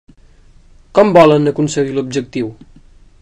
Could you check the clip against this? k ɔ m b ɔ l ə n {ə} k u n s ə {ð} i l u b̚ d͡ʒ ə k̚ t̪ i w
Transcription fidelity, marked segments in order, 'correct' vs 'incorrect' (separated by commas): correct, incorrect